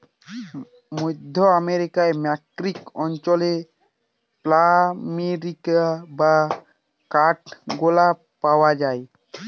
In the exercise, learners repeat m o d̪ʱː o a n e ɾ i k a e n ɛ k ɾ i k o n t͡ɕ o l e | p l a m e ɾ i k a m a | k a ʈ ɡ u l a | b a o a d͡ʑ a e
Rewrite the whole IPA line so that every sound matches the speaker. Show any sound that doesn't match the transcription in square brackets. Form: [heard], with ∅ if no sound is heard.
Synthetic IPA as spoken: m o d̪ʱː o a [m] e ɾ i k a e [m] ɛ k ɾ i k [ɔ] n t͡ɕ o l e | p l a m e ɾ i k a [b] a | k a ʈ ɡ [o] l a | [p] a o a d͡ʑ a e